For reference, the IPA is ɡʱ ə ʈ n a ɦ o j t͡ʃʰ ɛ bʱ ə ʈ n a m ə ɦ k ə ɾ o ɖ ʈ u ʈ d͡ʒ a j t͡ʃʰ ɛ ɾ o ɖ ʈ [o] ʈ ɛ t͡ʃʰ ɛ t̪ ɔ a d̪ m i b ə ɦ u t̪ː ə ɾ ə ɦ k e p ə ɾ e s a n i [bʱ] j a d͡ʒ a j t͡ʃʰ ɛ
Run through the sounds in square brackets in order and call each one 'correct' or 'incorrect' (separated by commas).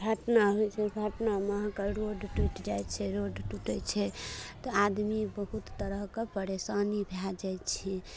incorrect, correct